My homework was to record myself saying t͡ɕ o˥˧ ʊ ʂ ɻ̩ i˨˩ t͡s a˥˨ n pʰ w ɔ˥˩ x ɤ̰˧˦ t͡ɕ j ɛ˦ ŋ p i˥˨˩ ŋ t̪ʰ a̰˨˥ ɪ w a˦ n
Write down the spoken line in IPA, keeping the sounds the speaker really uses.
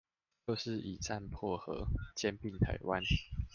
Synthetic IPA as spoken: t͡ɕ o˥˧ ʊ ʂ ɻ̩ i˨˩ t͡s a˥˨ n pʰ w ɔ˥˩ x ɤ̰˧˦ t͡ɕ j ɛ˦ n p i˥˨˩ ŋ t̪ʰ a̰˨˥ ɪ w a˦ n